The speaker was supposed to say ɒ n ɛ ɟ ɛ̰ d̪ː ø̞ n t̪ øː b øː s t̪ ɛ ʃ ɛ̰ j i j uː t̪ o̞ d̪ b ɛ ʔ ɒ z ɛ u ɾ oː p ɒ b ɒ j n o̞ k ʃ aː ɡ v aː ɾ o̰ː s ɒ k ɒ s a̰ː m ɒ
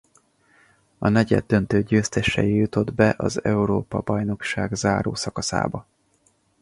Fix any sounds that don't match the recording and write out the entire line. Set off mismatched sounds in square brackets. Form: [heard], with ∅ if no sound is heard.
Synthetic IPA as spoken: ɒ n ɛ ɟ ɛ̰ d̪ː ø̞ n t̪ øː [ɟ] øː s t̪ ɛ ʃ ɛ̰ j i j [u] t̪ o̞ d̪ b ɛ ʔ ɒ z ɛ u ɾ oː p ɒ b ɒ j n o̞ k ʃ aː ɡ [z] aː ɾ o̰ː s ɒ k ɒ s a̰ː [b] ɒ